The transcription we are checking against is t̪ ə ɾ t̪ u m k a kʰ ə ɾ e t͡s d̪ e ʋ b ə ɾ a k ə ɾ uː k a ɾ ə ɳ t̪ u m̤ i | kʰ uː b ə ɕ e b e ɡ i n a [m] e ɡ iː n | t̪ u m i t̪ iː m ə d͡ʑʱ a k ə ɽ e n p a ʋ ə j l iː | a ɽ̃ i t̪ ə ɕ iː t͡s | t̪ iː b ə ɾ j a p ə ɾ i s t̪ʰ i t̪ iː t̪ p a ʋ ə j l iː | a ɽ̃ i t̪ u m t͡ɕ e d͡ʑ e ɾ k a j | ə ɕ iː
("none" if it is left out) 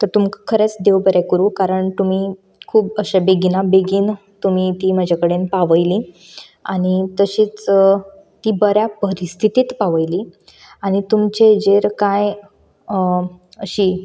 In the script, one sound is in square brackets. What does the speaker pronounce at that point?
b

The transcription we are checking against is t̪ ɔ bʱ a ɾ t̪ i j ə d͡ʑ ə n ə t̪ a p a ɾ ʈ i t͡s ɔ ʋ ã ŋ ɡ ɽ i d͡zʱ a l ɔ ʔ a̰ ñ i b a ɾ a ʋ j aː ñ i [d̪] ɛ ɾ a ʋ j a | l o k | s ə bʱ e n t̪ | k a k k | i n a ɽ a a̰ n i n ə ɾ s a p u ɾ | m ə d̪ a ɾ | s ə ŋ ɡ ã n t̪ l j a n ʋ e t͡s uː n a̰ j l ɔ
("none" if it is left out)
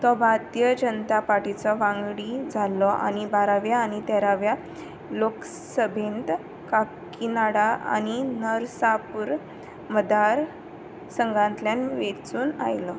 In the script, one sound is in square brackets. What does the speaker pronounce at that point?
t̪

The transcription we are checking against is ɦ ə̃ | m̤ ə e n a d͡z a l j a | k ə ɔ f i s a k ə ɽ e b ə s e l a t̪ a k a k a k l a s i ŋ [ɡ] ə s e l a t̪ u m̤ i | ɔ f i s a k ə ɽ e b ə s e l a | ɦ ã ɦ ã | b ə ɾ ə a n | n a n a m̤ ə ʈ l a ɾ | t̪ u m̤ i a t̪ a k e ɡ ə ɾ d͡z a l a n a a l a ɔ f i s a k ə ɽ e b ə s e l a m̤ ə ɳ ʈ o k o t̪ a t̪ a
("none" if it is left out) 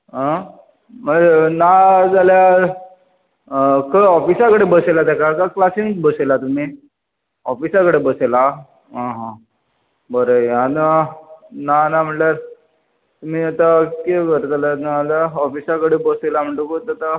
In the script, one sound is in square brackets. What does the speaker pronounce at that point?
b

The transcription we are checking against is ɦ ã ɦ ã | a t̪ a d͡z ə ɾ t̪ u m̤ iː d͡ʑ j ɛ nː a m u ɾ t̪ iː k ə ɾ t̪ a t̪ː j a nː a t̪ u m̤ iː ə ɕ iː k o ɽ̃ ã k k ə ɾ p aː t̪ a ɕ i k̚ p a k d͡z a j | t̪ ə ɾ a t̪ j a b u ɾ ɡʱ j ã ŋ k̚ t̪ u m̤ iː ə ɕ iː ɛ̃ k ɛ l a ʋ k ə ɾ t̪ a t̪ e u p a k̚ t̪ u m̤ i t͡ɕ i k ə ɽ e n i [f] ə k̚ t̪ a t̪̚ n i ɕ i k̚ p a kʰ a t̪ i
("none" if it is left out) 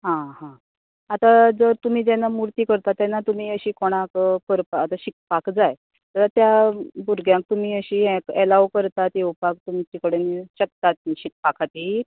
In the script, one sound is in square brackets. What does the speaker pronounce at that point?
ɕ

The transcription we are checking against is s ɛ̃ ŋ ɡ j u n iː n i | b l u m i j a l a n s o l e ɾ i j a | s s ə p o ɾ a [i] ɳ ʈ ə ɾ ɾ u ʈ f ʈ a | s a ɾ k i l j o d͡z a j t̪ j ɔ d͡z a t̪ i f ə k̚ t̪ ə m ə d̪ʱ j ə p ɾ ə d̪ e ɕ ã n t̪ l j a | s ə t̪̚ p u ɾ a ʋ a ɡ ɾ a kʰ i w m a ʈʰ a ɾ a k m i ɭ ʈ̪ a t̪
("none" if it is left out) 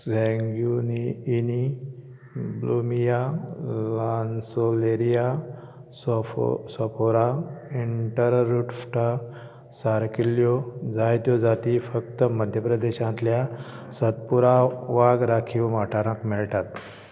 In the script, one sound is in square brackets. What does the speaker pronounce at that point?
i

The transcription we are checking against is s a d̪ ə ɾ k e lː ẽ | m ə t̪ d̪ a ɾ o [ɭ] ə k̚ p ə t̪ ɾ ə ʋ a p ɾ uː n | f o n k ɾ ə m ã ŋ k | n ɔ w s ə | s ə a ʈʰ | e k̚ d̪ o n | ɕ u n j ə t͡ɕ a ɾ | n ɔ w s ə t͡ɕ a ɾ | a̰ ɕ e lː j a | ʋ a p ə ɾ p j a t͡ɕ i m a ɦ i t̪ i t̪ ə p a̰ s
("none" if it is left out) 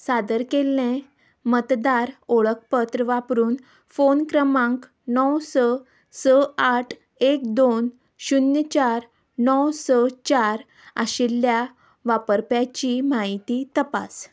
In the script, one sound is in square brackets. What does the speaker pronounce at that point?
ɭ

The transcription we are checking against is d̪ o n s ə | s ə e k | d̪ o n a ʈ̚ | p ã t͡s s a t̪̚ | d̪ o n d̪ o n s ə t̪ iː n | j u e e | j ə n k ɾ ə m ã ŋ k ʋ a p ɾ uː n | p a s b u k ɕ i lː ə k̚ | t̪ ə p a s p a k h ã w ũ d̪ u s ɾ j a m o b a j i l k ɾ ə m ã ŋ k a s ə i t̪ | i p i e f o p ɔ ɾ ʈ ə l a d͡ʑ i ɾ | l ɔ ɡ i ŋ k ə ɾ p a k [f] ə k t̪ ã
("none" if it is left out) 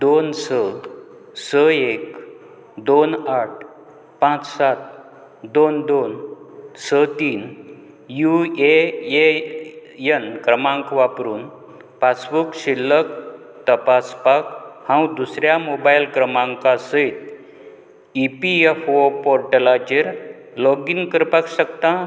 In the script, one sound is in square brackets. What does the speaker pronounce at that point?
ɕ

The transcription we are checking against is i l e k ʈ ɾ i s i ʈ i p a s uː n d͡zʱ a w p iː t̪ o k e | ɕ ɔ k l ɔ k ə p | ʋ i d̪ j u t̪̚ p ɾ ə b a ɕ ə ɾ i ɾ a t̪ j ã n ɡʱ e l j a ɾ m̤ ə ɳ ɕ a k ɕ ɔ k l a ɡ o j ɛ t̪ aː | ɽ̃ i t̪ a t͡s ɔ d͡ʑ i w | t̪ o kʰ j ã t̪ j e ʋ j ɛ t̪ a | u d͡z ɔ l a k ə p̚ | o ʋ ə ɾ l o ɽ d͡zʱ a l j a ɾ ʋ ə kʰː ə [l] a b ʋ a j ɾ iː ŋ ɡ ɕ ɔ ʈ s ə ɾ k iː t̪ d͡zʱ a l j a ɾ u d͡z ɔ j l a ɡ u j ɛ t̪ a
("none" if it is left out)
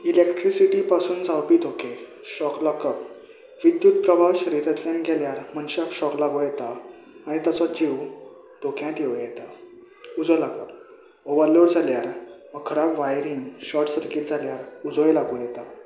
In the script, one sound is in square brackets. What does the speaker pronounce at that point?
ɾ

